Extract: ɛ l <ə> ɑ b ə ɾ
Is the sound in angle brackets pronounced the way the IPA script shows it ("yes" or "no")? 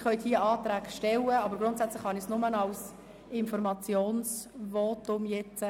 yes